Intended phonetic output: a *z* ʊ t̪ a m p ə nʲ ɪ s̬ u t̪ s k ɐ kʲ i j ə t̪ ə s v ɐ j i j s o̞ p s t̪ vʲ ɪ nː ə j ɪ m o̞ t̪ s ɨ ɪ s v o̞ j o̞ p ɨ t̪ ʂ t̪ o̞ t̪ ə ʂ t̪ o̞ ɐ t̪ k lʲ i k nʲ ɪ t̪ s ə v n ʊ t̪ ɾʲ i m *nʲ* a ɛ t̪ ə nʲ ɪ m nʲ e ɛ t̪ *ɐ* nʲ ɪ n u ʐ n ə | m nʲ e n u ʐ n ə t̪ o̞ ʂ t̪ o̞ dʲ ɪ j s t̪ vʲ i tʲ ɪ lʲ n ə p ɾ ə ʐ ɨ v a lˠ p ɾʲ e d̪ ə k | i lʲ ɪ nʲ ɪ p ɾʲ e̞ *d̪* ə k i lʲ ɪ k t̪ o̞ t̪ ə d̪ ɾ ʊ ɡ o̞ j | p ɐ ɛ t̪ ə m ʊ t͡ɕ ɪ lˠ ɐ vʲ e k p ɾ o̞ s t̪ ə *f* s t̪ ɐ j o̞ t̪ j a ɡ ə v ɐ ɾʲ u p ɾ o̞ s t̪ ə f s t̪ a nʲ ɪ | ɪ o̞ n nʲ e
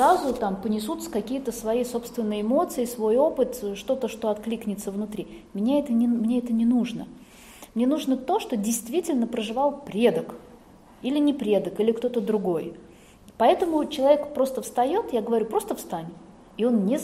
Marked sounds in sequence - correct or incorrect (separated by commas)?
correct, correct, incorrect, correct, correct